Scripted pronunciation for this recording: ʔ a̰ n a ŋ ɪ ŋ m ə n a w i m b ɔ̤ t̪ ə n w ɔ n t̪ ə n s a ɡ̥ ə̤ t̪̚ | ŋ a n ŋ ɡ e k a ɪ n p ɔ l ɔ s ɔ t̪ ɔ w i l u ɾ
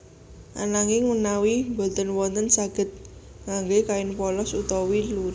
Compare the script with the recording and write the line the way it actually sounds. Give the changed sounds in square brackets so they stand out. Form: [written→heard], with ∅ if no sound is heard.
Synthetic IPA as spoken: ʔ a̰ n a ŋ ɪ ŋ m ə n a w i m b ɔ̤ t̪ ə n w ɔ n t̪ ə n s a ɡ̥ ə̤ t̪̚ | ŋ a [n→∅] ŋ ɡ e k a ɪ n p ɔ l ɔ s [ɔ→u] t̪ ɔ w i l u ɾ